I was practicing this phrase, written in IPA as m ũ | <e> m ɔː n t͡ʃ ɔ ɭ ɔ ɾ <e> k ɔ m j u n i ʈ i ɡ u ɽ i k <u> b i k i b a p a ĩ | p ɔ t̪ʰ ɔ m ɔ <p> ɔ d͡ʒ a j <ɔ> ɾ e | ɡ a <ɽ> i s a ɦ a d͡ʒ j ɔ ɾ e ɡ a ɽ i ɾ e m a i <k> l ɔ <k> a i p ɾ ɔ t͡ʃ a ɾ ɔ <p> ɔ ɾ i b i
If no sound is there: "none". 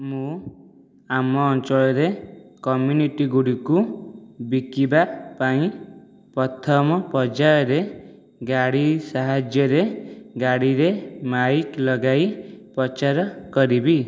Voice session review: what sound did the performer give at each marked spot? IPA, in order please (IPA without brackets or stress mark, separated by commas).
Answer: a, e, u, p, ɔ, ɽ, k, ɡ, k